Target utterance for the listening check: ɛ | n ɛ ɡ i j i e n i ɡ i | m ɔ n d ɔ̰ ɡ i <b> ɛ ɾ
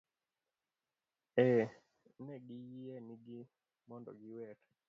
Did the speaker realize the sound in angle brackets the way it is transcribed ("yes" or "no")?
no